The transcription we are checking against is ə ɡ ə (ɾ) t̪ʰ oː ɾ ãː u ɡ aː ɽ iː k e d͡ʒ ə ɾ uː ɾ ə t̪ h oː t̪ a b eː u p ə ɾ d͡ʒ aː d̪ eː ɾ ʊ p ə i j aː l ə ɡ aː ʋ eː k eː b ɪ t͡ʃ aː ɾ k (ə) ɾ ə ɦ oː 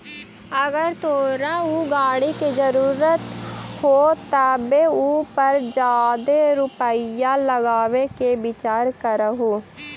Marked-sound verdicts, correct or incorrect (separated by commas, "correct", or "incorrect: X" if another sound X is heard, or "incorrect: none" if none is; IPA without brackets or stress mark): correct, correct